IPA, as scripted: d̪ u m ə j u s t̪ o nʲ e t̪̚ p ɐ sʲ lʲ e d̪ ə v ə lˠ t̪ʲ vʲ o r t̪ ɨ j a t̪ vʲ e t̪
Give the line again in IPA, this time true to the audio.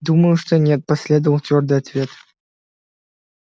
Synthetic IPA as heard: d̪ u m ə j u ʂ t̪ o nʲ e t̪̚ p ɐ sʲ lʲ e d̪ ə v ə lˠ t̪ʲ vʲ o r d̪ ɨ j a t̪ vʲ e t̪